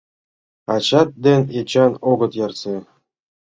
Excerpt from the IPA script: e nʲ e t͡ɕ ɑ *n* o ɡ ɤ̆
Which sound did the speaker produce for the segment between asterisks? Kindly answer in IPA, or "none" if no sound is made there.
n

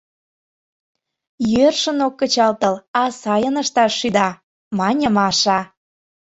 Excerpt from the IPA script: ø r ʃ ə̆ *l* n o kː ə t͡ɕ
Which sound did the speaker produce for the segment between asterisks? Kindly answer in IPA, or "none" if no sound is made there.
none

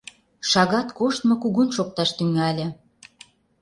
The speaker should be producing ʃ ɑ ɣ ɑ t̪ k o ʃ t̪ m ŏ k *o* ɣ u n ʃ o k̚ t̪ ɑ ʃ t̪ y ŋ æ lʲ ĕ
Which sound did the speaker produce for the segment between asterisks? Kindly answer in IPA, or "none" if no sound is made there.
u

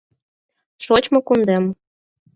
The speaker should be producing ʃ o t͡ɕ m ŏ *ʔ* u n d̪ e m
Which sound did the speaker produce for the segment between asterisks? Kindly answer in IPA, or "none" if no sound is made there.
k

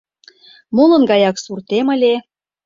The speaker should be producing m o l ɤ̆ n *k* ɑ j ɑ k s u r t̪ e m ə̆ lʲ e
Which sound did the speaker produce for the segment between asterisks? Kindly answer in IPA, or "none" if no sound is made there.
ɡ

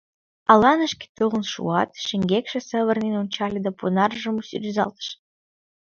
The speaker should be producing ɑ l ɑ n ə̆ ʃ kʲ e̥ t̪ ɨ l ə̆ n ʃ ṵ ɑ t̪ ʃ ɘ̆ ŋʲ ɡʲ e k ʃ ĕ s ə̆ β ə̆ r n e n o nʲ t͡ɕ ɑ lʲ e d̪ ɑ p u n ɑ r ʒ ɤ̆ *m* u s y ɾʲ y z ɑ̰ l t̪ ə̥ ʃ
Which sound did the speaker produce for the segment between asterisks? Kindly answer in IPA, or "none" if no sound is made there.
m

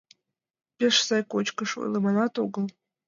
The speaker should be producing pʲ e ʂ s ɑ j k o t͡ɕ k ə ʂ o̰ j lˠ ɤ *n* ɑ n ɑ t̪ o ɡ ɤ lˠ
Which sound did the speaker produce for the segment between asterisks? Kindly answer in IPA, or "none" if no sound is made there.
m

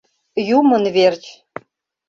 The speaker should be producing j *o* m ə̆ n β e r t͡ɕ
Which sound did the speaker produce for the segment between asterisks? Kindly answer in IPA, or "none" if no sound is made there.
u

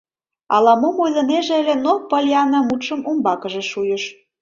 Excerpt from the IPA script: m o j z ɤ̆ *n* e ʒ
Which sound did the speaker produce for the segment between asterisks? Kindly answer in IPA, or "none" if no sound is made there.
n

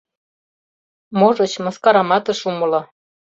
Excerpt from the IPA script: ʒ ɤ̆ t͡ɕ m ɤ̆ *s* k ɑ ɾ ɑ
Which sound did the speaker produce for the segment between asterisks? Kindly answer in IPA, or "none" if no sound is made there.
s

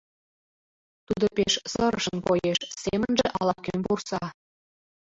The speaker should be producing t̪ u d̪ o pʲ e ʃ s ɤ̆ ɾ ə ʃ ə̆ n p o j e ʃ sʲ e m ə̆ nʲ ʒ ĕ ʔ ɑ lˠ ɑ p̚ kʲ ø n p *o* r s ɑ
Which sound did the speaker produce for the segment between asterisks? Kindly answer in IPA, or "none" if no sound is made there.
u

